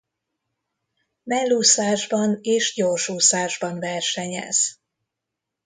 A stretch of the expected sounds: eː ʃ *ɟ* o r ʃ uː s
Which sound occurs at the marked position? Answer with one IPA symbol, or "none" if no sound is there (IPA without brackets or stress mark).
ɟ